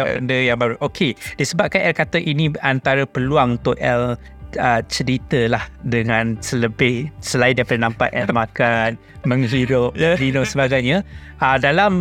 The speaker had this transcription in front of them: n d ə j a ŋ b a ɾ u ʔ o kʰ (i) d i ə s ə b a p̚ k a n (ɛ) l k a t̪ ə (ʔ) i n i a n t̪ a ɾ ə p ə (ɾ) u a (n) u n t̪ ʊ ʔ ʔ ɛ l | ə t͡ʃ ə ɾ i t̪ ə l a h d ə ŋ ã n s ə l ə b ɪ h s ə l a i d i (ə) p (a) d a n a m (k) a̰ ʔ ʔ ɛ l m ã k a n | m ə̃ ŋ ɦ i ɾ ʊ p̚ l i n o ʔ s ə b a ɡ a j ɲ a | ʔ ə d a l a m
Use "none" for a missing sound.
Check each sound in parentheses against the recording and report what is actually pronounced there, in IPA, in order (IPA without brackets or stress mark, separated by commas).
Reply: e, ɛ, ʔ, l, ŋ, a, a, p